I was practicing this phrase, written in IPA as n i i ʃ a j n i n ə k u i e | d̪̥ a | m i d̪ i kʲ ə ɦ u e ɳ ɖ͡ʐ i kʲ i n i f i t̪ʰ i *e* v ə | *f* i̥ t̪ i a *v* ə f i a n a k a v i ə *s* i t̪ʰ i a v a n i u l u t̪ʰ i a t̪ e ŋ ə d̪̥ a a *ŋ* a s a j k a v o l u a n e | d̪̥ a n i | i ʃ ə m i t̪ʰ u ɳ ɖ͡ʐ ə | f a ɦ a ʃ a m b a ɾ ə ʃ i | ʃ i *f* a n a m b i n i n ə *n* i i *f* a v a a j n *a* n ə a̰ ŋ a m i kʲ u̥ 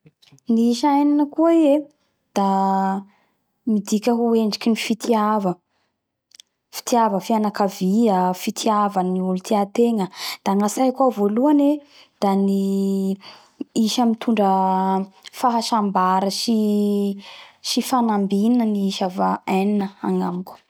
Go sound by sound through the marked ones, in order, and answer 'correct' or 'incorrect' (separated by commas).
incorrect, correct, correct, incorrect, correct, correct, correct, incorrect, incorrect